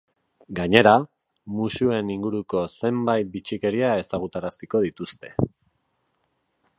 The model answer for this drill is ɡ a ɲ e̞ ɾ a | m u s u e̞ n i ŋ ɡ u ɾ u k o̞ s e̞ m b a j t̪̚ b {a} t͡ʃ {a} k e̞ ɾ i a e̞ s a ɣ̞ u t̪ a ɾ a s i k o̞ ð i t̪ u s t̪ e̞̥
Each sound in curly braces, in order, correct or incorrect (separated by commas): incorrect, incorrect